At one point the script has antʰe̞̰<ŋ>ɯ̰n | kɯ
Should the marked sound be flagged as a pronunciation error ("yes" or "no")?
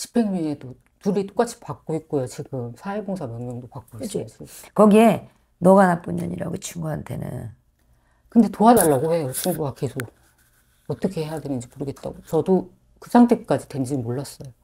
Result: yes